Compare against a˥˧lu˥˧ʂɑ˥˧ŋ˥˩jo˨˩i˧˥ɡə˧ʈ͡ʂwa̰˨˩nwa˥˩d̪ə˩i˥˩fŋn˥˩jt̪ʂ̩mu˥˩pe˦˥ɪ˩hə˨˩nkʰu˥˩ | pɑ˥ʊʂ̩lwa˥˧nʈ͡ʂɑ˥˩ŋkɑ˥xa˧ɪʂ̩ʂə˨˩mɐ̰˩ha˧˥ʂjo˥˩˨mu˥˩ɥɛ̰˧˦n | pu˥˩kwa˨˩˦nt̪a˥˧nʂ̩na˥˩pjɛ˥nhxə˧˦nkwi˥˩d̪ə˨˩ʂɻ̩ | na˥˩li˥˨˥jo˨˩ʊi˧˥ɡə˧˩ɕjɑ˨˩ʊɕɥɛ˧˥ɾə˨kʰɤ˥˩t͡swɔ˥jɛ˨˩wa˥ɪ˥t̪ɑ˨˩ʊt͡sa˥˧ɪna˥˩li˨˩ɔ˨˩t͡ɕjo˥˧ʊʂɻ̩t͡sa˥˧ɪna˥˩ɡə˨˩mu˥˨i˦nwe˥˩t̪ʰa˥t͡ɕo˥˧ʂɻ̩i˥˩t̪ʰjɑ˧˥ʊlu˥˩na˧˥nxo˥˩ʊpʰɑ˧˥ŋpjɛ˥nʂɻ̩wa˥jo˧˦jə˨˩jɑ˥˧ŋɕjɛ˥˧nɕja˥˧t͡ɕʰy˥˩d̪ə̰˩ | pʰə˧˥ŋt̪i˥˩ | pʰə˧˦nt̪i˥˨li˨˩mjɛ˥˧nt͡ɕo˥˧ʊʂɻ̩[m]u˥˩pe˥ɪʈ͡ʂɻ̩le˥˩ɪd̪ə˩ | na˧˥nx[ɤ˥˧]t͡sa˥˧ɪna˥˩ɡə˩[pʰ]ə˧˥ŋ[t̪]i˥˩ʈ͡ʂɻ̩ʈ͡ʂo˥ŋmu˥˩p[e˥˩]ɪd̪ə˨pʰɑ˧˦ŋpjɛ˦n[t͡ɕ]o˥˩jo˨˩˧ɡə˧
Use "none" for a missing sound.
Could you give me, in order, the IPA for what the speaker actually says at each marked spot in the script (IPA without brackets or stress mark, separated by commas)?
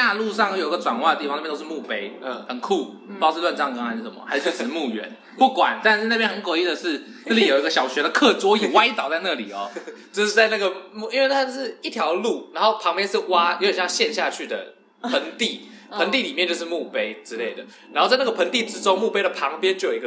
m, o˥˧, pʰ, t̪, e˥, t͡ɕ